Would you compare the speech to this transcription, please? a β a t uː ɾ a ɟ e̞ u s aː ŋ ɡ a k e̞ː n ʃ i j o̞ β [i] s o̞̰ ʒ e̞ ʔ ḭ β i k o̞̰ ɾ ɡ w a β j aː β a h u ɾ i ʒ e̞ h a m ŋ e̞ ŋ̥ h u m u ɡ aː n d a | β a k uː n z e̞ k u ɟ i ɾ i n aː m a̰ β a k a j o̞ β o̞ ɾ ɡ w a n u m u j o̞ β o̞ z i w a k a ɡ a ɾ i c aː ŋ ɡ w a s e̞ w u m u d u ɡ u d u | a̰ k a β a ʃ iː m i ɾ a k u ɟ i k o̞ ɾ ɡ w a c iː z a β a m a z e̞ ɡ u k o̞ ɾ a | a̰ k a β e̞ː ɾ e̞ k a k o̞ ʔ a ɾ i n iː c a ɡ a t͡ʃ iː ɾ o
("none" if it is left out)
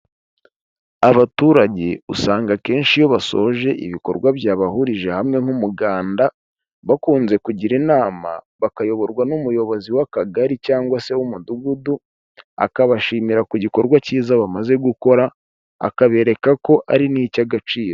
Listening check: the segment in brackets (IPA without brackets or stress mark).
a